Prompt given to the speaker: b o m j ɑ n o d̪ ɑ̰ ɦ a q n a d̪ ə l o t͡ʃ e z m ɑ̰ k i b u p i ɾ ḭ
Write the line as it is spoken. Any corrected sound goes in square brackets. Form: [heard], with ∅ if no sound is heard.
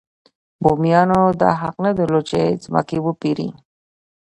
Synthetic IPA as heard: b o m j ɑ n o d̪ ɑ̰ ɦ a q n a d̪ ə l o t͡ʃ e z m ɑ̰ k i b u p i ɾ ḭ